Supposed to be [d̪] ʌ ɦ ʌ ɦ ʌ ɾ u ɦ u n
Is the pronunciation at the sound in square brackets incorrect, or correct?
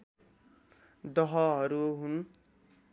correct